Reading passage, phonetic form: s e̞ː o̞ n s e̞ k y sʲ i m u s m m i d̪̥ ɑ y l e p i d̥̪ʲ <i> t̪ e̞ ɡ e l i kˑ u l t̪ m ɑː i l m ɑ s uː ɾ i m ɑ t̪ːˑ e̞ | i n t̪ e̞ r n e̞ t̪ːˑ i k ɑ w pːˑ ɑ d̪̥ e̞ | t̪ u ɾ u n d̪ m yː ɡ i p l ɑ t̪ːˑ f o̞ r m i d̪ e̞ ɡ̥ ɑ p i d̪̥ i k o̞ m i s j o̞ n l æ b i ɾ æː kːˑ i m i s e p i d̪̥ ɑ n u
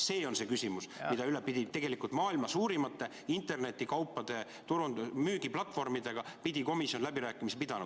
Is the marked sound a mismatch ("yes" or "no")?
no